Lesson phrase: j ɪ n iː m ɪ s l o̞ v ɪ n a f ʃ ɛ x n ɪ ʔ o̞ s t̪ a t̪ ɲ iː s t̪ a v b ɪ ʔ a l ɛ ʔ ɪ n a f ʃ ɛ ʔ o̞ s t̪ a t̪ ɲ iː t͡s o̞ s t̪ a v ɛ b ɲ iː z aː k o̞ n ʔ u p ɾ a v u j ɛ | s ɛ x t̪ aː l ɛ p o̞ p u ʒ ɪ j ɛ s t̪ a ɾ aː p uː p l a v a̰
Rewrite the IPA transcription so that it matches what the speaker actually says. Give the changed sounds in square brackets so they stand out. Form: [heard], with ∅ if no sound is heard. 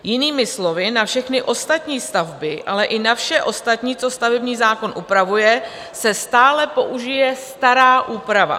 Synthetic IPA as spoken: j ɪ n iː m ɪ s l o̞ v ɪ n a f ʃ ɛ x n ɪ ʔ o̞ s t̪ a t̪ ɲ iː s t̪ a v b ɪ ʔ a l ɛ ʔ ɪ n a f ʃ ɛ ʔ o̞ s t̪ a t̪ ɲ iː t͡s o̞ s t̪ a v ɛ b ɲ iː z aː k o̞ n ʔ u p ɾ a v u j ɛ | s ɛ [s] t̪ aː l ɛ p o̞ [ʔ] u ʒ ɪ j ɛ s t̪ a ɾ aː [ʔ] uː p [ɾ] a v a̰